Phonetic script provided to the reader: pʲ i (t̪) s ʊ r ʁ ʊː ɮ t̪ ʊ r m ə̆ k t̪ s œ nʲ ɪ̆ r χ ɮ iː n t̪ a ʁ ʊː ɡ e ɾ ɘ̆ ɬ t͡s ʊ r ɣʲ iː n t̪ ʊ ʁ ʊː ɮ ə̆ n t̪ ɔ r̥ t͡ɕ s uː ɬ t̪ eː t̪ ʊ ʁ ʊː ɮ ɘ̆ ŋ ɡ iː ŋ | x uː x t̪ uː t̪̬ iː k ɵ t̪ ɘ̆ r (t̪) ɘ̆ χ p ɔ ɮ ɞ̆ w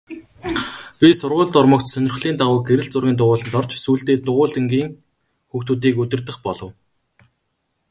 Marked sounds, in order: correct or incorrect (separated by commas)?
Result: incorrect, correct